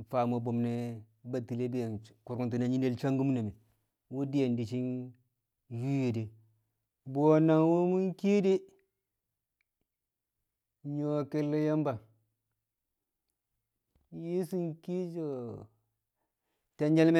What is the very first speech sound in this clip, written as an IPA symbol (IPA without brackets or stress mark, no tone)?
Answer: f